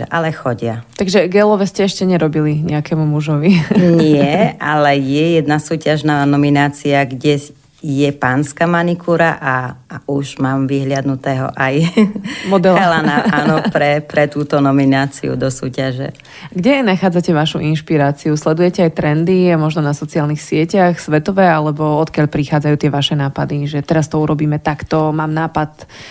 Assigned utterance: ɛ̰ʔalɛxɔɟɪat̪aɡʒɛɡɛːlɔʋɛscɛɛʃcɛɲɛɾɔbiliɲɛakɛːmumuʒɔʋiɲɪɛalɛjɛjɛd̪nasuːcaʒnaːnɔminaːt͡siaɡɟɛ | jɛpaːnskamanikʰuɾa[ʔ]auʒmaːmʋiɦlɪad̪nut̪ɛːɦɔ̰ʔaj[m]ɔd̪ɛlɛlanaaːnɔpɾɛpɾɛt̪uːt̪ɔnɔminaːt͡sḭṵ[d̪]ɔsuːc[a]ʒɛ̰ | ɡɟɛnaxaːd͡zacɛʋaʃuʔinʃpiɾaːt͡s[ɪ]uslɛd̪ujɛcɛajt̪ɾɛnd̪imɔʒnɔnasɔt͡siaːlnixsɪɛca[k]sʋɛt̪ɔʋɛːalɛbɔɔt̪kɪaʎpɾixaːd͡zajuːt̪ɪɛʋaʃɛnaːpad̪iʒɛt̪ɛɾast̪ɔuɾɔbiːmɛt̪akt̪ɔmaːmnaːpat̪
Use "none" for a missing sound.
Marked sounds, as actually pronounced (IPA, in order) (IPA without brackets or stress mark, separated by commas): ʔ, m, d̪, a, i, x